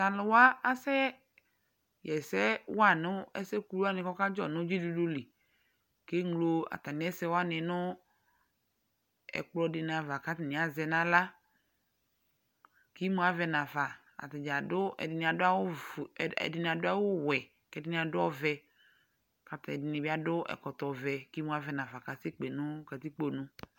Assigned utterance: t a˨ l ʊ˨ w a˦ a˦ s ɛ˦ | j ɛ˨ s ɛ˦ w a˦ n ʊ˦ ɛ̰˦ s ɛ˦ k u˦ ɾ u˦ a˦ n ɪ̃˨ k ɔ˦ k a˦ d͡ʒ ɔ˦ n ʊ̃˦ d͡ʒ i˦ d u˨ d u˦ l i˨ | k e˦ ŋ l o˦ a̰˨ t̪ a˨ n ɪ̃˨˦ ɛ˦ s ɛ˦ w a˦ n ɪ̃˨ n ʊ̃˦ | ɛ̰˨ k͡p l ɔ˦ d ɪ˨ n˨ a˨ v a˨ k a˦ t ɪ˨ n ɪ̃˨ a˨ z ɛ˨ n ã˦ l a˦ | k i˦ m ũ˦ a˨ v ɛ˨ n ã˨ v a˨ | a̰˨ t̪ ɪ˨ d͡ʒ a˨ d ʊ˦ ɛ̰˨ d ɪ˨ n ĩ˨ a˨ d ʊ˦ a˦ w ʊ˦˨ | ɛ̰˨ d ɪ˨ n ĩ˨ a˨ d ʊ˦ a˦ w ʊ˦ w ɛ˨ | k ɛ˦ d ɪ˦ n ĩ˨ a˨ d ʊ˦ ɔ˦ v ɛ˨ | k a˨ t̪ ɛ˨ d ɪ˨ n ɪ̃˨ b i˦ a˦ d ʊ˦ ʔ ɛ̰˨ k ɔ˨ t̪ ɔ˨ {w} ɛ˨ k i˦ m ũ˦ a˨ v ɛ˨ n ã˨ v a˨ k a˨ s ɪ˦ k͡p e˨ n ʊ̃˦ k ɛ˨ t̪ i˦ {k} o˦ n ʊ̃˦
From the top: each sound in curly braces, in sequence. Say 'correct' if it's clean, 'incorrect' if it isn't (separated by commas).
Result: incorrect, incorrect